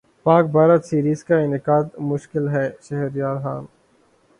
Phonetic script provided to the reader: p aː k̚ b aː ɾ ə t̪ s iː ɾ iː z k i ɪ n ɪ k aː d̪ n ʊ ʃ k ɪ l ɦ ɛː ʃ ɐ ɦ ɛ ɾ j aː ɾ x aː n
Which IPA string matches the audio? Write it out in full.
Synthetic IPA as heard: p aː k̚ b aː ɾ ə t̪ s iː ɾ iː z k a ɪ n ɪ k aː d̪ m ʊ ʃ k ɪ l ɦ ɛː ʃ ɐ ɦ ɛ ɾ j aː ɾ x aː n

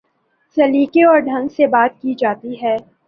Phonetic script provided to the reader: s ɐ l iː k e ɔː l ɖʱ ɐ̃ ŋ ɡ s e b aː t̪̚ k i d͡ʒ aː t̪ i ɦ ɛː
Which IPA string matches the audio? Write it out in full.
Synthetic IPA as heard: s ɐ l iː k e ɔː ɾ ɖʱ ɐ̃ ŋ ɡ s e b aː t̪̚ k i d͡ʒ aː t̪ i ɦ ɛː

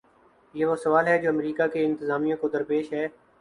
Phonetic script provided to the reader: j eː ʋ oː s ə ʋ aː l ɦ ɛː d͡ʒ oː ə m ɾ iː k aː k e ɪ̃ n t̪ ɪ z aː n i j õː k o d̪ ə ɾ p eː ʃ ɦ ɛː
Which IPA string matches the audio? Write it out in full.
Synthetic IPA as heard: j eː ʋ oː s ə ʋ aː l ɦ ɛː d͡ʒ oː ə m ɾ iː k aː k e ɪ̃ n t̪ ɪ z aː m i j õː k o d̪ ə ɾ p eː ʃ ɦ ɛː

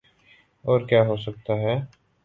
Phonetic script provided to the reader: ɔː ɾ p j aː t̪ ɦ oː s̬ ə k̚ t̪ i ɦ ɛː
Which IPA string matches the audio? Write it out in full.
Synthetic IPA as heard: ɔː ɾ k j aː ɦ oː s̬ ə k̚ t̪ a ɦ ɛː

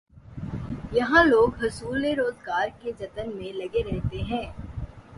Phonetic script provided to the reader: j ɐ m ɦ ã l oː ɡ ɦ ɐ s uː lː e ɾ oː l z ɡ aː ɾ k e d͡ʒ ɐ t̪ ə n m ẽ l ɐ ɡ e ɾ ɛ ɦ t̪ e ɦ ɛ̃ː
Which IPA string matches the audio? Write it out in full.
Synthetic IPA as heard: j ɐ ɦ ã l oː ɡ ɦ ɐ s uː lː e ɾ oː z ɡ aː ɾ k e d͡ʒ ɐ t̪ ə n m ẽ l ɐ ɡ e ɾ ɛ ɦ t̪ e ɦ ɛ̃ː

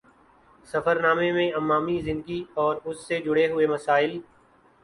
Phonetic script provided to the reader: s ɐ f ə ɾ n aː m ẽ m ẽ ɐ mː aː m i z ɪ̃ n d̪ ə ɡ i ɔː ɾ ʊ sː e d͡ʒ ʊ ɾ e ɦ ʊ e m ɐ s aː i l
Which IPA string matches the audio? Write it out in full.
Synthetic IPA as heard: s ɐ f ə ɾ n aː m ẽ m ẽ ɐ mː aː m i z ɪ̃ n d̪ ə ɡ i ɔː ɾ ʊ sː e d͡ʒ ʊ ɽ e ɦ ʊ e m ɐ s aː ɪ l

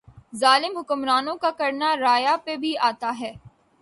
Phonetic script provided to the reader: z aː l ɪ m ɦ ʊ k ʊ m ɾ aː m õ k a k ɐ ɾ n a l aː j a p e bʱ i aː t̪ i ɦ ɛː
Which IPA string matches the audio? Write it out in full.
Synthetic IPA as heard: z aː l ɪ m ɦ ʊ k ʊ m ɾ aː n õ k a k ɐ ɾ n a ɾ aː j a p e bʱ i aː t̪ a ɦ ɛː

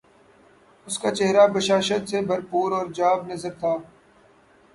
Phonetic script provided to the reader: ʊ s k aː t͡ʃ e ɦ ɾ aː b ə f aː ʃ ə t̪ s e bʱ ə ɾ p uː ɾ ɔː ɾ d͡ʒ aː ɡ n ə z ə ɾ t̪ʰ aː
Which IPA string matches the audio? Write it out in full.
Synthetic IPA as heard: ʊ s k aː t͡ʃ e ɦ ɾ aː b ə ʃ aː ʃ ə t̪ s e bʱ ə ɾ p uː ɾ ɔː ɾ d͡ʒ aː b n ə z ə ɾ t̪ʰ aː

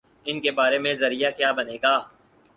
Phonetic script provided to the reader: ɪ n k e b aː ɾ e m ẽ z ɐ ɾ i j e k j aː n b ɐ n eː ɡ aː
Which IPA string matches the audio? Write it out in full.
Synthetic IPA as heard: ɪ n k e b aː ɾ e m ẽ z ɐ ɾ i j a k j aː b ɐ n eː ɡ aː

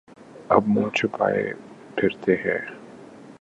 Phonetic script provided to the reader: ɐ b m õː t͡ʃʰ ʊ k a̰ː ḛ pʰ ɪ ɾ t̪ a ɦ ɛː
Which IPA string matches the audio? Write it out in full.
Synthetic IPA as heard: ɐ b m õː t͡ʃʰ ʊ p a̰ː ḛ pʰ ɪ ɾ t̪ e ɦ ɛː

